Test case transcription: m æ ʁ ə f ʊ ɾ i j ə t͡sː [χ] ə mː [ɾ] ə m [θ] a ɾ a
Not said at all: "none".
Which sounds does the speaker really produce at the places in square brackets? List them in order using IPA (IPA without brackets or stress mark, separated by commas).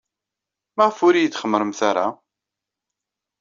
χ, ɾ, θ